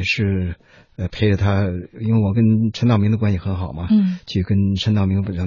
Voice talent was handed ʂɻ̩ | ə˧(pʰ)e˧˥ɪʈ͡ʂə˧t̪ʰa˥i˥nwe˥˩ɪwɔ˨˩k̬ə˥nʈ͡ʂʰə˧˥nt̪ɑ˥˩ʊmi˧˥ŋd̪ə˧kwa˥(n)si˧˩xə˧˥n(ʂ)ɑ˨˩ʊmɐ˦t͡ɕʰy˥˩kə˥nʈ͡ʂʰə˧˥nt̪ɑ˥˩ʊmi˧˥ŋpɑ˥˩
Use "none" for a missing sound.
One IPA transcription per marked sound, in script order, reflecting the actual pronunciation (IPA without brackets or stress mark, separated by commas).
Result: pʰ, n, x